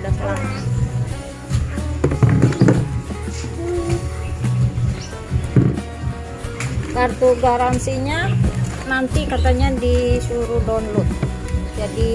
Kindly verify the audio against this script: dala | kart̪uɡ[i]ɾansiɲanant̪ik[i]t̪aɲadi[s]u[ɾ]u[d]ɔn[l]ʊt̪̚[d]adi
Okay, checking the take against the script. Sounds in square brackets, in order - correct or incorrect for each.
incorrect: a, incorrect: a, correct, correct, correct, correct, incorrect: d͡ʒ

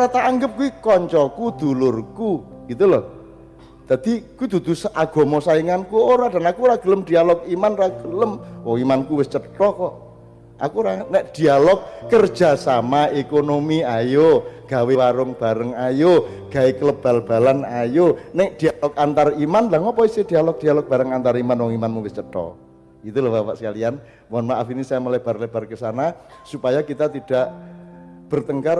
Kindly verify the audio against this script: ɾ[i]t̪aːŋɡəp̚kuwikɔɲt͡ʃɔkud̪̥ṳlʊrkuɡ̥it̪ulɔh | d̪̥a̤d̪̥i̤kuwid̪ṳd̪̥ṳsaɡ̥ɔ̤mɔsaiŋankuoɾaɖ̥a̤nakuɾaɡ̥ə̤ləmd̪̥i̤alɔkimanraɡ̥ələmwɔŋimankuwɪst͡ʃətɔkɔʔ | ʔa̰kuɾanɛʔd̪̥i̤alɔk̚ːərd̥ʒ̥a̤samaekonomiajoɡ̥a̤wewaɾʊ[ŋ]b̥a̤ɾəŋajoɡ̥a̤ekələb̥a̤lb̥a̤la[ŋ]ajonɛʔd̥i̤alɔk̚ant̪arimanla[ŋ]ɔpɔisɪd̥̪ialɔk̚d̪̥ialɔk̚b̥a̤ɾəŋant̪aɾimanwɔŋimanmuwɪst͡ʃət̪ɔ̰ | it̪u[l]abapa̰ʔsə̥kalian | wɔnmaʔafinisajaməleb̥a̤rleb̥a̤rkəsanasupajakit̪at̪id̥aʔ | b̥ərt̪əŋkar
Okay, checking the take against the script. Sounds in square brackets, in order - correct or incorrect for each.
incorrect: a, correct, incorrect: n, correct, correct

